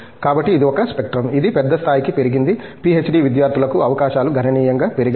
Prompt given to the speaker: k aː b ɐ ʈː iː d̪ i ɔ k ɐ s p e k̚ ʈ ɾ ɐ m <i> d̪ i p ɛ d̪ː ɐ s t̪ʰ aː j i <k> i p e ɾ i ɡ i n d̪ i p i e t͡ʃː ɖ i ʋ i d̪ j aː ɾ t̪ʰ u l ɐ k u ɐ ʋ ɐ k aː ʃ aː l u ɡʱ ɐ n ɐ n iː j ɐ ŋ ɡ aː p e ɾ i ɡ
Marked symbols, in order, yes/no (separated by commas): yes, yes